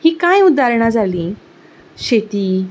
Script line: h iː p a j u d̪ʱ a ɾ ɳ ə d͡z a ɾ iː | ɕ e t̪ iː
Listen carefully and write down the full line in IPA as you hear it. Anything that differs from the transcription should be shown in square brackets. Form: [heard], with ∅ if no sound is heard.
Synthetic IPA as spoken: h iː [k] a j u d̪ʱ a ɾ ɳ [a] d͡z a [l] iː | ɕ e t̪ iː